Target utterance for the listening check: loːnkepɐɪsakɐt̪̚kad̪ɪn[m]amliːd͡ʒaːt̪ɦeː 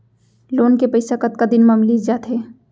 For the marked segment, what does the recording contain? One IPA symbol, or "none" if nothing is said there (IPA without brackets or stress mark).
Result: m